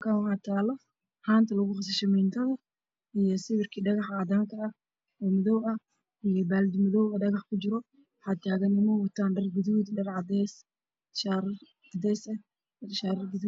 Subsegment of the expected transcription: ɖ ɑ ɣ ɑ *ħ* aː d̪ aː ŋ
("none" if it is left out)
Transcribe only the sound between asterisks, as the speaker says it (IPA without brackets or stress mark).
ħ